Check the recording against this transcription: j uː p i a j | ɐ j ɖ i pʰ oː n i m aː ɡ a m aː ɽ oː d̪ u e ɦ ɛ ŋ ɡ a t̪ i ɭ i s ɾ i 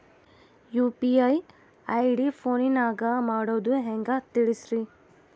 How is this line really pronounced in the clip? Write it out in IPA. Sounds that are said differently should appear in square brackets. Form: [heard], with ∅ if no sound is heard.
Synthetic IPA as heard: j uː p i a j | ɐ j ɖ i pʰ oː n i [n] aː ɡ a m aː ɽ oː d̪ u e ɦ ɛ ŋ ɡ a t̪ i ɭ i s ɾ i